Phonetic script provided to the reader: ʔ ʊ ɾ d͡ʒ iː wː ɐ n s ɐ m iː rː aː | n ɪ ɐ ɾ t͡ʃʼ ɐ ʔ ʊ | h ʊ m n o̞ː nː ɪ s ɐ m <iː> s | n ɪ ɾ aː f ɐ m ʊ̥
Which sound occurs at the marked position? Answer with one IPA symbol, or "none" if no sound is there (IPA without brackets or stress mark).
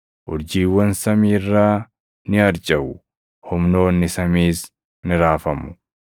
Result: iː